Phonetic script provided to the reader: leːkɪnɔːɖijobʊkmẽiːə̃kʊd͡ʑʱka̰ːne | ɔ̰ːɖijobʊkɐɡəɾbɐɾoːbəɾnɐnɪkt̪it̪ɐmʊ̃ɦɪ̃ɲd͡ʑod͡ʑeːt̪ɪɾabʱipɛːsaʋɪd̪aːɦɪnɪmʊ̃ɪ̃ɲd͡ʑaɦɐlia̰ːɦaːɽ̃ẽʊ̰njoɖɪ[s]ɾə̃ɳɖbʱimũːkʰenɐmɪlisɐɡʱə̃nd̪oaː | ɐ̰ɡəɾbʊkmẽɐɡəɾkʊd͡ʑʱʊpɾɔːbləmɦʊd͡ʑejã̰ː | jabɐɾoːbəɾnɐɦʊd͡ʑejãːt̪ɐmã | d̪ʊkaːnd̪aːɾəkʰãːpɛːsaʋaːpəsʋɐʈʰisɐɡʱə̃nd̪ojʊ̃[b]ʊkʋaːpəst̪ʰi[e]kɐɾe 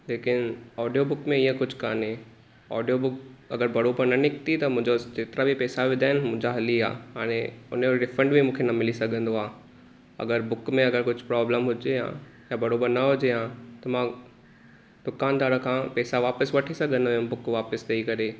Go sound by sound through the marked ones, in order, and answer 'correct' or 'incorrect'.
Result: incorrect: f, correct, incorrect: i

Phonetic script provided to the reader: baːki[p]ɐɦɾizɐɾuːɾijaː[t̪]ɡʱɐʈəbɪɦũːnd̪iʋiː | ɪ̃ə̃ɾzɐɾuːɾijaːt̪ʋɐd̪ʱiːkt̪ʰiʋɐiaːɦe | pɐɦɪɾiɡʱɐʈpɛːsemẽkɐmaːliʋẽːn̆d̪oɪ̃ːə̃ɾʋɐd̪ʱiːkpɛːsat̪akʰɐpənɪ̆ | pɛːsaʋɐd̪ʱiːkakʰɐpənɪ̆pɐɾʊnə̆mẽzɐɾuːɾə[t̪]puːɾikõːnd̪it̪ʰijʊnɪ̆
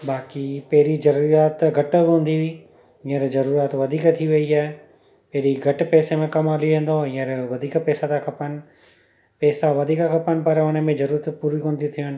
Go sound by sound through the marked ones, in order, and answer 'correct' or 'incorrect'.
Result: correct, correct, correct

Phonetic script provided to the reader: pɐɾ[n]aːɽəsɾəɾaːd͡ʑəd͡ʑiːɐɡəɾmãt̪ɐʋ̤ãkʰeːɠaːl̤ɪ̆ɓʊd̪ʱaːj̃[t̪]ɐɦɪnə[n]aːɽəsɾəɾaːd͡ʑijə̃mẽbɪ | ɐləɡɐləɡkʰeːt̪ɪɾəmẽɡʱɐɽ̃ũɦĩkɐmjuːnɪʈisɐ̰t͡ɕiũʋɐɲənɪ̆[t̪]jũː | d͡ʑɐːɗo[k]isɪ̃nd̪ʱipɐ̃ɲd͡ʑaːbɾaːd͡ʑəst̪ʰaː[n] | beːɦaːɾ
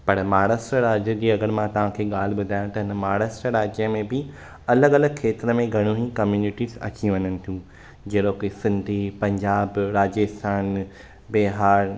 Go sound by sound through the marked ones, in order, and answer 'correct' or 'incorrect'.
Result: incorrect: m, correct, incorrect: m, incorrect: t̪ʰ, correct, correct

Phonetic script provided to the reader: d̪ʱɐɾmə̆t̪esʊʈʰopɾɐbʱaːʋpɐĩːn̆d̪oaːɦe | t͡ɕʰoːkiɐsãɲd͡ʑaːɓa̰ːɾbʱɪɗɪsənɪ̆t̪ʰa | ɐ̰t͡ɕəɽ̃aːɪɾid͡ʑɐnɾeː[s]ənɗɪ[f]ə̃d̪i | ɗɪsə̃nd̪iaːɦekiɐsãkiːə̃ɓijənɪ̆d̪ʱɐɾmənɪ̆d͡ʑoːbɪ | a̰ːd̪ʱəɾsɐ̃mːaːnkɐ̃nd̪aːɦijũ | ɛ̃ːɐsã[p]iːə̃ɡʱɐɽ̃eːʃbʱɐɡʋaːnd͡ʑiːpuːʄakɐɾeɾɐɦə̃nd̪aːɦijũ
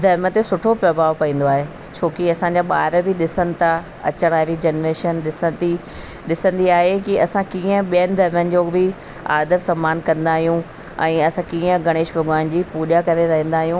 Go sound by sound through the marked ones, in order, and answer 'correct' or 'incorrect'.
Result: incorrect: ʃ, incorrect: s, incorrect: k

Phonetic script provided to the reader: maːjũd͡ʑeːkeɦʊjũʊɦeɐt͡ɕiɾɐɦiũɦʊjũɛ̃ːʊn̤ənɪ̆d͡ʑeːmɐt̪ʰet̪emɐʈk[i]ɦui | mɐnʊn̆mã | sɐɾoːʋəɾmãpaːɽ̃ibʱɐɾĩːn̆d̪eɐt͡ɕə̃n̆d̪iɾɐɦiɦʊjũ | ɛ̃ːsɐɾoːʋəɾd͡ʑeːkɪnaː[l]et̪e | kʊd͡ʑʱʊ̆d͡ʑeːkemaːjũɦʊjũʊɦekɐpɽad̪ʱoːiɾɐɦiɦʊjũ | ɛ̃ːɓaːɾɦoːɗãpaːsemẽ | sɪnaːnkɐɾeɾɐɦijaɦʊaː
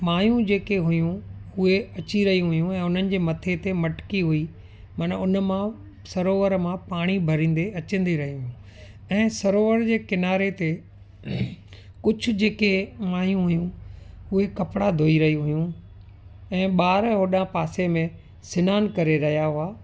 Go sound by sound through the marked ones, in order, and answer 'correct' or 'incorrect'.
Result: correct, incorrect: ɾ

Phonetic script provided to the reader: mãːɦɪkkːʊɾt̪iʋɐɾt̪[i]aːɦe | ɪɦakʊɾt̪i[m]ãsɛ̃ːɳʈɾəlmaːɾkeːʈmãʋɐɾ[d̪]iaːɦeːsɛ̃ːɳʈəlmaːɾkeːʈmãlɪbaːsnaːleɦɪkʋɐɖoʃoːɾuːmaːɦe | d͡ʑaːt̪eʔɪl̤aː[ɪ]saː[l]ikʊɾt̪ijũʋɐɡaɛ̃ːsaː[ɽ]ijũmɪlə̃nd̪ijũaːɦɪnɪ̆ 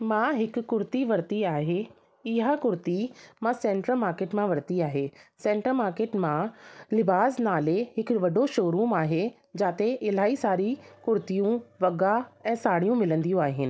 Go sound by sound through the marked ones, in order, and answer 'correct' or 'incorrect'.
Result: correct, correct, incorrect: t̪, incorrect: i, incorrect: ɾ, correct

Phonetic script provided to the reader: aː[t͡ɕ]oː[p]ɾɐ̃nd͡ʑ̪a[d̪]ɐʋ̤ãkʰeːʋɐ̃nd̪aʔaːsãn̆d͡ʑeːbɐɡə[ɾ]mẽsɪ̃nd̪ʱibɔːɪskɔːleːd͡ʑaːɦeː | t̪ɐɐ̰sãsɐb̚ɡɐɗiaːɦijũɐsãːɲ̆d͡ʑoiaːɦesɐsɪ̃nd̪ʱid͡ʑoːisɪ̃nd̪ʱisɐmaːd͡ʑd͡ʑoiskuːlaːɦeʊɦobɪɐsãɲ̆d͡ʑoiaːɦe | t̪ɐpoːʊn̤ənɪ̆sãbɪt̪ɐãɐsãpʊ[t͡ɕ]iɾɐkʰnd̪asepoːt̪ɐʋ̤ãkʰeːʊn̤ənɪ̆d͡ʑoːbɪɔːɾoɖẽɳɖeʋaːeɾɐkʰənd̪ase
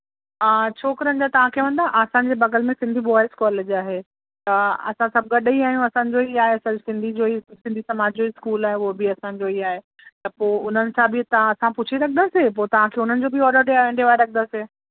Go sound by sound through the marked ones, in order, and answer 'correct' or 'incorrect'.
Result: incorrect: t͡ɕʰ, incorrect: k, incorrect: t̪, incorrect: l, incorrect: t͡ɕʰ

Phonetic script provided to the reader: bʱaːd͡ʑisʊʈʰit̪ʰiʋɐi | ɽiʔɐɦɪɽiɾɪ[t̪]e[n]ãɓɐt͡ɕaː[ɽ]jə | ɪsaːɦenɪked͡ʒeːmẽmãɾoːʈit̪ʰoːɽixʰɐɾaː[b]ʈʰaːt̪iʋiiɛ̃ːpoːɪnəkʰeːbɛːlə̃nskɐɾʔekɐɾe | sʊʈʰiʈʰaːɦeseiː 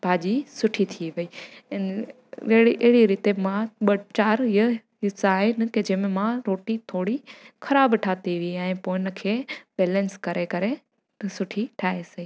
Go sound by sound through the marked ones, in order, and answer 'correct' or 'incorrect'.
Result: correct, incorrect: m, incorrect: ɾ, correct

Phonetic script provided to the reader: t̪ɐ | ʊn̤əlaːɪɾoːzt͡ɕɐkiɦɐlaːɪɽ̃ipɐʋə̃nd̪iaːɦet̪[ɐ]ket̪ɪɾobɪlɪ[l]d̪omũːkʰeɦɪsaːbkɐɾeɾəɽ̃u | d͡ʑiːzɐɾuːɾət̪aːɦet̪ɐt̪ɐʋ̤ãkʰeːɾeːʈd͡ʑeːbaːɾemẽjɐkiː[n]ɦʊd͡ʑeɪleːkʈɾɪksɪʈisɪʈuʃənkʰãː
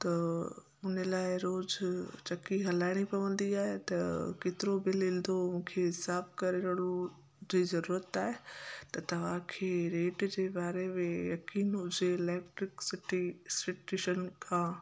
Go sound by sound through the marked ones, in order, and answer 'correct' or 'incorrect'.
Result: correct, correct, correct

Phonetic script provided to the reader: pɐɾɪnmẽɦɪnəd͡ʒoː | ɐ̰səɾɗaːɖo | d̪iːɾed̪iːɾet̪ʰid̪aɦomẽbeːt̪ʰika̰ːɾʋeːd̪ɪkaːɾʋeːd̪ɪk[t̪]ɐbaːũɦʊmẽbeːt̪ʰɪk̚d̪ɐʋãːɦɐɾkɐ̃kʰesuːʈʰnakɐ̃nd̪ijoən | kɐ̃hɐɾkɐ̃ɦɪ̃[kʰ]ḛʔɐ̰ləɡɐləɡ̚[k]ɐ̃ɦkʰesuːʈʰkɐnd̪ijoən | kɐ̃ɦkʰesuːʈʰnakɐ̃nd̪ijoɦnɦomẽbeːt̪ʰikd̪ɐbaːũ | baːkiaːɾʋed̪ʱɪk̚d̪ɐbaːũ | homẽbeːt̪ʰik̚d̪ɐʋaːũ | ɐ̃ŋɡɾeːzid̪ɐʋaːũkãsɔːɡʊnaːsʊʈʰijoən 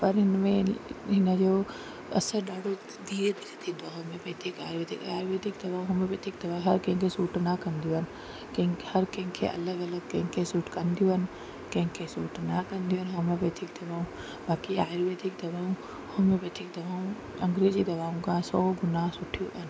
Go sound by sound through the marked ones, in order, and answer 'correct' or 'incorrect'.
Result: incorrect: d̪, correct, correct

